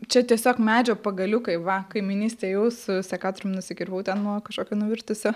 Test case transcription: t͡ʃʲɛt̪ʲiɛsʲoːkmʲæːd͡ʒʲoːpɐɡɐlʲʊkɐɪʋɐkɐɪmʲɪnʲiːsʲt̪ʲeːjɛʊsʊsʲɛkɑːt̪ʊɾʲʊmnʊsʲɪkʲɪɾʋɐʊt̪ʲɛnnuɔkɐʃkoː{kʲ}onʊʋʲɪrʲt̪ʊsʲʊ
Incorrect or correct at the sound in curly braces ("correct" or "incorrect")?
correct